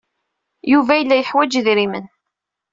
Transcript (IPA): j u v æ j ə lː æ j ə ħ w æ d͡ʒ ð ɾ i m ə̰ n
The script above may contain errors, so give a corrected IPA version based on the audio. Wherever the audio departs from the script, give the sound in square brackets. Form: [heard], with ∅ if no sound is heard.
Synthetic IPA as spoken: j u v æ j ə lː æ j ə ħ w æ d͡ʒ ð ɾ i m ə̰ n